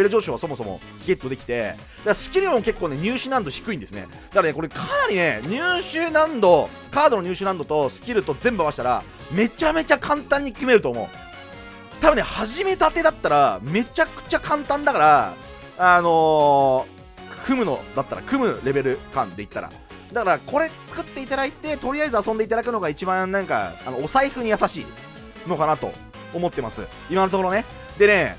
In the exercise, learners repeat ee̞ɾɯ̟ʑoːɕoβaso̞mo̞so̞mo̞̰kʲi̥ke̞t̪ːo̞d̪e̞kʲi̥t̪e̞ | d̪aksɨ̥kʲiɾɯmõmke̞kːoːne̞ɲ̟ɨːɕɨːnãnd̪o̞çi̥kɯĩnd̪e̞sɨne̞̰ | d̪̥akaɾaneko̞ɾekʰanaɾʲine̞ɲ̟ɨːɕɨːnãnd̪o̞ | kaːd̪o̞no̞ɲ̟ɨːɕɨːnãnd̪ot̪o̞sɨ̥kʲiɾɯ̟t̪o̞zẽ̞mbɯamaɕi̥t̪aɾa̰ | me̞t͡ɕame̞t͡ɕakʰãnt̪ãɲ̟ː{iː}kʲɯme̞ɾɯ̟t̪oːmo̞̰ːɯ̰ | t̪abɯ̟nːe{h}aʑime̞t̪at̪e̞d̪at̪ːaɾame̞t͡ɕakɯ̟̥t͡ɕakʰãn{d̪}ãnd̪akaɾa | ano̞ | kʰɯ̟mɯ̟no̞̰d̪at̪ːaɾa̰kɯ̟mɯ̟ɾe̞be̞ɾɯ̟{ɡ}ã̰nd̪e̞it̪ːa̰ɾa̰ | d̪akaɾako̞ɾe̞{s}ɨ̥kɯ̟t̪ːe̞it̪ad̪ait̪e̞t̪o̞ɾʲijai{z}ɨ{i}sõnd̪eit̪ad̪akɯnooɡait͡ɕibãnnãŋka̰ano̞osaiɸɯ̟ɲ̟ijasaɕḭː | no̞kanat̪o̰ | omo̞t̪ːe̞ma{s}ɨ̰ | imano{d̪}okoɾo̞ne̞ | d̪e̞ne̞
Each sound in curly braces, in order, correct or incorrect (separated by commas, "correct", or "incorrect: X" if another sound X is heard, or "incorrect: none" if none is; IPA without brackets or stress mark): incorrect: i, correct, incorrect: t̪, incorrect: k, incorrect: t͡s, correct, incorrect: a, correct, incorrect: t̪